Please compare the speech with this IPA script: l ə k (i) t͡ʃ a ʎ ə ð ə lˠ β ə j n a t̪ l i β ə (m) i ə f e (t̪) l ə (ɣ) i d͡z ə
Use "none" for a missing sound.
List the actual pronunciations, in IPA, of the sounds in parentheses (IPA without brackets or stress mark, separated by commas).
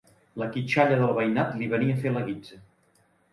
i, n, none, ɣ